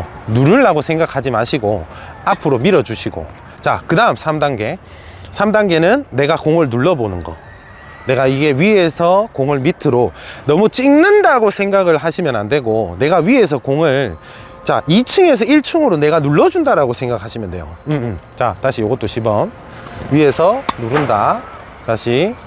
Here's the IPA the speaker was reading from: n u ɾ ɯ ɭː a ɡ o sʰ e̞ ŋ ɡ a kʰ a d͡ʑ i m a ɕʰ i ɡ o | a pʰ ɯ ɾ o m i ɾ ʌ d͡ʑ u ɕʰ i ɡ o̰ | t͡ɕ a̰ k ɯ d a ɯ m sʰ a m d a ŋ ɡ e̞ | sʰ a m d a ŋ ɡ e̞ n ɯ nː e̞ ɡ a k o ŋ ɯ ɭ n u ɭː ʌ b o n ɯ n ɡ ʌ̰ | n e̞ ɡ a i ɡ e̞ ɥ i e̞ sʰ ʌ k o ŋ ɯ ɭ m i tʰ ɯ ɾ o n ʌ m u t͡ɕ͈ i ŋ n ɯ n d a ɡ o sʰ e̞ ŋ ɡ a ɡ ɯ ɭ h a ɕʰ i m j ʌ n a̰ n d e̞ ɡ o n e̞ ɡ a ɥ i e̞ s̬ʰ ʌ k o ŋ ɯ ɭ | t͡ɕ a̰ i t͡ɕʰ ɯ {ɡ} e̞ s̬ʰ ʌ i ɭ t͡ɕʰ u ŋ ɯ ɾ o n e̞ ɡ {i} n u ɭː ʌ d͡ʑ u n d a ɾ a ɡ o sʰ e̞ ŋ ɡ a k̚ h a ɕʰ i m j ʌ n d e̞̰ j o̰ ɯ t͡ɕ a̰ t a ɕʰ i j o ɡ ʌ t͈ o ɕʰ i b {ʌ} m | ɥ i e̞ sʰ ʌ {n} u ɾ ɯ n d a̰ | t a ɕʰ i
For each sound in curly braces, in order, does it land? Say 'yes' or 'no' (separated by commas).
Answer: no, no, yes, yes